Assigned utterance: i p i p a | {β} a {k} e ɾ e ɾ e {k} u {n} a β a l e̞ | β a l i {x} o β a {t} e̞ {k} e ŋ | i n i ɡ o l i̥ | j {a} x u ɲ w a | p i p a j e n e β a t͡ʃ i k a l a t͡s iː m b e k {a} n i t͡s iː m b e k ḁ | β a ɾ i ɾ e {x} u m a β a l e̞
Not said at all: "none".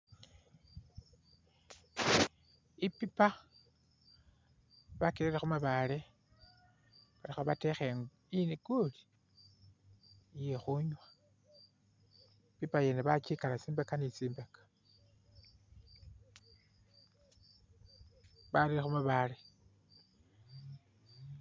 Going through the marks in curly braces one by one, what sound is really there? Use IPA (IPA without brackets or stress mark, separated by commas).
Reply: β, k, x, m, x, t, x, e, a, x